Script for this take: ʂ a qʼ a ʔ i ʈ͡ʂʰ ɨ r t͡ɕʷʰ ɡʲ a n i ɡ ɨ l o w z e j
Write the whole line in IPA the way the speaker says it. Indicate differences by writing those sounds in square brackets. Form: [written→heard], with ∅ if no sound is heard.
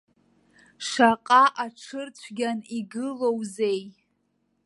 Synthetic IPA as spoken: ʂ a qʼ a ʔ [i→a] ʈ͡ʂʰ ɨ r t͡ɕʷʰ ɡʲ a n i ɡ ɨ l o w z e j